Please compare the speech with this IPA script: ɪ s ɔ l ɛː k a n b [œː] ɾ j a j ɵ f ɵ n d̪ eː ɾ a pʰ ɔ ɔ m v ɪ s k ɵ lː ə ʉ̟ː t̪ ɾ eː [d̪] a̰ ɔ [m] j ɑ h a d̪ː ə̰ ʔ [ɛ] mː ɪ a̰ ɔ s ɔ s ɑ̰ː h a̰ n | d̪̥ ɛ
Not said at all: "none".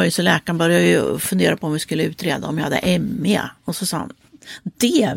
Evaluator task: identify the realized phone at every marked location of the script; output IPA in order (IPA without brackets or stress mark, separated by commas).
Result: œ, d̪, m, ɛ